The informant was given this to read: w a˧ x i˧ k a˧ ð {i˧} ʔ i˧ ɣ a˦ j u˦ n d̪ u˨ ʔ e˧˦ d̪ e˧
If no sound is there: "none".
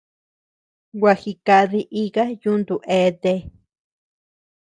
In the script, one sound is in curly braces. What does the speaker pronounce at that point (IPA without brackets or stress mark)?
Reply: i˧